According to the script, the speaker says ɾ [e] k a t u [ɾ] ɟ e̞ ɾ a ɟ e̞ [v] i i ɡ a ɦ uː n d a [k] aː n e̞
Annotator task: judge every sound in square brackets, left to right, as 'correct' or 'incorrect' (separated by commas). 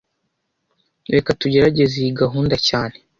correct, incorrect, incorrect, incorrect